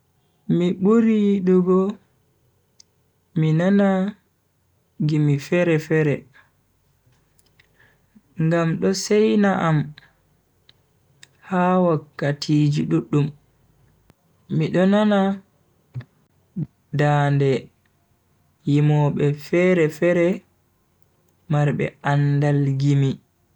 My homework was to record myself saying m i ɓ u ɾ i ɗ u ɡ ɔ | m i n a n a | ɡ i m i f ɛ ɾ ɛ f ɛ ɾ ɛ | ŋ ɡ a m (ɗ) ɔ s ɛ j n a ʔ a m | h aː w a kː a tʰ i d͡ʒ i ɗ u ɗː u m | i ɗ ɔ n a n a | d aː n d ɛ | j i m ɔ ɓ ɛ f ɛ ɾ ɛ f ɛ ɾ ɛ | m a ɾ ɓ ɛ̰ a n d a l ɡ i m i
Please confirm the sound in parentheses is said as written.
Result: yes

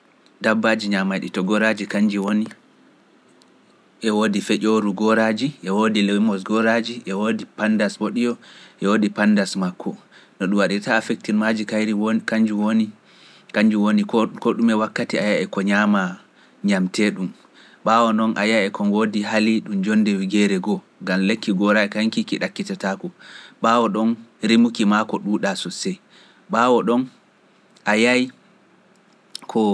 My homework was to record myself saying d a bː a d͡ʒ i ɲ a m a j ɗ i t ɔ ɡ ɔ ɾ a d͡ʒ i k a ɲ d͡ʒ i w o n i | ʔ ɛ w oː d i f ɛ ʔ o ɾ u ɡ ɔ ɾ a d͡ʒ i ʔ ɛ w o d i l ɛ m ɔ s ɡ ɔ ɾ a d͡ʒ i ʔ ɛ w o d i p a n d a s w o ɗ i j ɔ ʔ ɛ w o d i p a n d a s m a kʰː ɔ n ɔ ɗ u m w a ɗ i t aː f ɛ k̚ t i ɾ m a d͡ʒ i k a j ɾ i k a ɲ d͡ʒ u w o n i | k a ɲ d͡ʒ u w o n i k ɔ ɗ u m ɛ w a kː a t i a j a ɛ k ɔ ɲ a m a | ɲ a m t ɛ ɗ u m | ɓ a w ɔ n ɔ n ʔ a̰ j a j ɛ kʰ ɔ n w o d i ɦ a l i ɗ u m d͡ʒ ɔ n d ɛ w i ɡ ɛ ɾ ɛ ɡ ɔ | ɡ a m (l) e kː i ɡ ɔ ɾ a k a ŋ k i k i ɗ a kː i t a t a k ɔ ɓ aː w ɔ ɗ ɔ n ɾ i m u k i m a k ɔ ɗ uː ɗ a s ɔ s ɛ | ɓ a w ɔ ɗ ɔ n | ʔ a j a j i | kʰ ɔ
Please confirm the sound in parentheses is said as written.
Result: yes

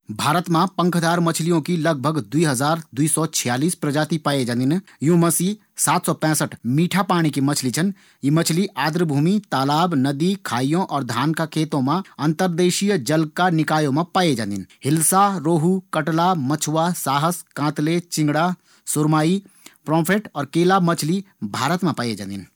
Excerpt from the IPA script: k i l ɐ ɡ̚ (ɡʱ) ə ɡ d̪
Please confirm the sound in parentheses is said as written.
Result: no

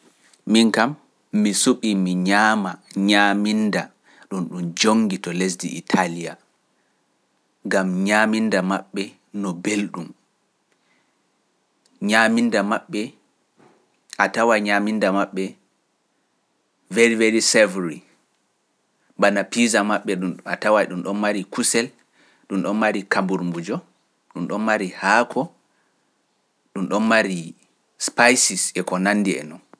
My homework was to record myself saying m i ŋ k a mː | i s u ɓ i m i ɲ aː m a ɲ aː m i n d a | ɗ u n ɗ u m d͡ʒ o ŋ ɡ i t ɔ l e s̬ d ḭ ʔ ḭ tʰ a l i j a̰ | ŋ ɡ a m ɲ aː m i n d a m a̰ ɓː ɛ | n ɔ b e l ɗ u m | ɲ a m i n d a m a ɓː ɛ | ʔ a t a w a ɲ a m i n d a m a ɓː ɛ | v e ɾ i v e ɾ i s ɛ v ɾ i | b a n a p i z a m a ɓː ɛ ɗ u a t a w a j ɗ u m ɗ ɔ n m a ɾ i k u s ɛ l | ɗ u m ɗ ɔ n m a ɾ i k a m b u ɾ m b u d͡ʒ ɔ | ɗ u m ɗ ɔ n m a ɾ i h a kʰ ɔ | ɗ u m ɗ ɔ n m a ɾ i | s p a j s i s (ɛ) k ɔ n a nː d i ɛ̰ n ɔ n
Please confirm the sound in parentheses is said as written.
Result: yes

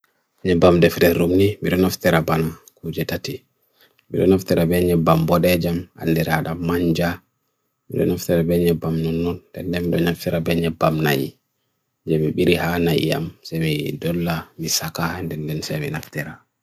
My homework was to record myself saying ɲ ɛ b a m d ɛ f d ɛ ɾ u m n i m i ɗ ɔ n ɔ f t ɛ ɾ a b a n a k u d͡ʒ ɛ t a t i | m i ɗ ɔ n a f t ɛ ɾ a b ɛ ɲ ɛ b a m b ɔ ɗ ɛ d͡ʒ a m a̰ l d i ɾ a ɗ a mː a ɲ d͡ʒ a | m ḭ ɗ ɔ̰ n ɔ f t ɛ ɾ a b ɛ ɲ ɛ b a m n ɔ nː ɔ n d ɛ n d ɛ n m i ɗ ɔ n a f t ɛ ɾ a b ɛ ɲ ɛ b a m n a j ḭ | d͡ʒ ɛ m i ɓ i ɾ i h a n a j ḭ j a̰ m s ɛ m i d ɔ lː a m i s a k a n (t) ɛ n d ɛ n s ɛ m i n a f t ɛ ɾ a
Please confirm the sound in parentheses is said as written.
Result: no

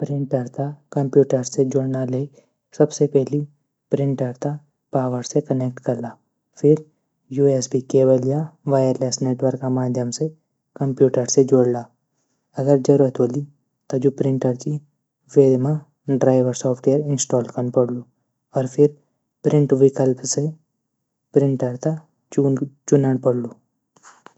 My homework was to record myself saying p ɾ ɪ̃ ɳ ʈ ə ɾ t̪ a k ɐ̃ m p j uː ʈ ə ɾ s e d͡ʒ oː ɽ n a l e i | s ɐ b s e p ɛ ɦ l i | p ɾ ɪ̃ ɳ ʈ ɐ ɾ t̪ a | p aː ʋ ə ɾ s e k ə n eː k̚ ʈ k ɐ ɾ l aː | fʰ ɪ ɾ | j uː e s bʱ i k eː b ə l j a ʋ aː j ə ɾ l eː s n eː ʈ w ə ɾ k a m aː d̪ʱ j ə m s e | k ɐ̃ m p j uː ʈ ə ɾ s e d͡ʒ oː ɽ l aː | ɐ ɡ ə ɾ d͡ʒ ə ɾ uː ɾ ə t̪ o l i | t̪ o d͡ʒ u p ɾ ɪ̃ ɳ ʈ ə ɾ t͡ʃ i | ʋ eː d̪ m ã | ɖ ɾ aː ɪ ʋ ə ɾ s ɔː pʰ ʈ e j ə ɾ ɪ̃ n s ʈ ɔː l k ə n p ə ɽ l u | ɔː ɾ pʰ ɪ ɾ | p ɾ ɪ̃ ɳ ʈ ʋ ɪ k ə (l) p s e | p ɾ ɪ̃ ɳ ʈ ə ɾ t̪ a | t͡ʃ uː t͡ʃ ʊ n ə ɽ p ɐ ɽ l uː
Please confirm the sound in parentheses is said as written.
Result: yes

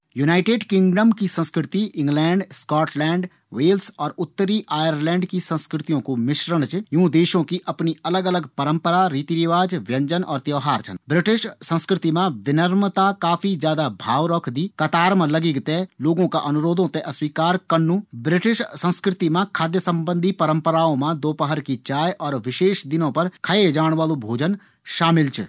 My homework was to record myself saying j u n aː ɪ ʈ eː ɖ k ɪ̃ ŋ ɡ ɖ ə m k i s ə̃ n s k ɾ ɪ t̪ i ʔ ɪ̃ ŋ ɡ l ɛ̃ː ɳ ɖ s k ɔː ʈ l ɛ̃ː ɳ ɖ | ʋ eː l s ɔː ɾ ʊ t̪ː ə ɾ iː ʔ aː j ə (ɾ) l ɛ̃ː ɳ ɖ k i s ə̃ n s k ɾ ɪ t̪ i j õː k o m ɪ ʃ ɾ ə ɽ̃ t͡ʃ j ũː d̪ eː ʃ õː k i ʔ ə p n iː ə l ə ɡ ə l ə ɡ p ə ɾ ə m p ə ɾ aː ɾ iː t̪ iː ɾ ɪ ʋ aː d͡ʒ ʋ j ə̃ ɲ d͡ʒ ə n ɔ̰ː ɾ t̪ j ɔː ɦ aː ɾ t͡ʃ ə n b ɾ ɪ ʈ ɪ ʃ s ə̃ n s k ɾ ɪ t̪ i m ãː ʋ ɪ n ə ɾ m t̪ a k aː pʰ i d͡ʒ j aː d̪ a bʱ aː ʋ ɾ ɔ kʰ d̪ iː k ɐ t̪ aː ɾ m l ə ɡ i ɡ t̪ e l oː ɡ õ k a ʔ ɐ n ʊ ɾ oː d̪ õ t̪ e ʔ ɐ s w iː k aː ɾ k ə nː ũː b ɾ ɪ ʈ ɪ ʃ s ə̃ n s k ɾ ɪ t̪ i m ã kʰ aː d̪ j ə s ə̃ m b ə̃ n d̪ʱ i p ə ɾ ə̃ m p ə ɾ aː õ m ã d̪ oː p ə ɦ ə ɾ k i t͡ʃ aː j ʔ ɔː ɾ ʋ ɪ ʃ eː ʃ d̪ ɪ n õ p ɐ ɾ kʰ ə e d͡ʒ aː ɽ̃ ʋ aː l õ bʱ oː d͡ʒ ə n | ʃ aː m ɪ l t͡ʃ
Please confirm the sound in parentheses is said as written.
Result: yes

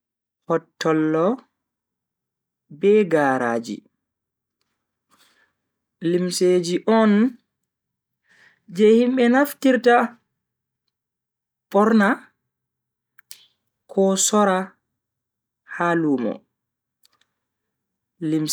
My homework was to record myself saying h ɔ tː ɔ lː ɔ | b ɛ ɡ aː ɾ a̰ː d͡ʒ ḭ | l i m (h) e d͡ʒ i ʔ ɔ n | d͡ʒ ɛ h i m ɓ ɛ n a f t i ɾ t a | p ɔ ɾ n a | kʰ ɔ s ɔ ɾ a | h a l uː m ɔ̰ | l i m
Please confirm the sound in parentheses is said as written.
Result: no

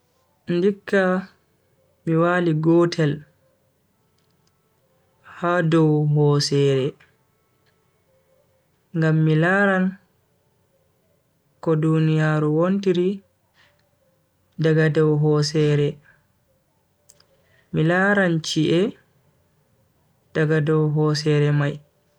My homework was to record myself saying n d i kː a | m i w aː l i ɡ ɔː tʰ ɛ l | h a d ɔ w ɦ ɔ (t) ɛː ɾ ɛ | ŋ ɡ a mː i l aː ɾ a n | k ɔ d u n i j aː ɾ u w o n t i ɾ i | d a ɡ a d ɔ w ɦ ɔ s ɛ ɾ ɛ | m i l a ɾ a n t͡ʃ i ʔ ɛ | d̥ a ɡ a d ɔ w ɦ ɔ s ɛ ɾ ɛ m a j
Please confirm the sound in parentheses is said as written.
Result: no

